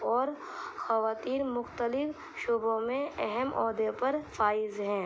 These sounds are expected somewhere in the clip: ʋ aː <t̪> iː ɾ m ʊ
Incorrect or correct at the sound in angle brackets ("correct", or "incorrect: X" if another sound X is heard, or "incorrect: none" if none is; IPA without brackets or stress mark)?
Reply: correct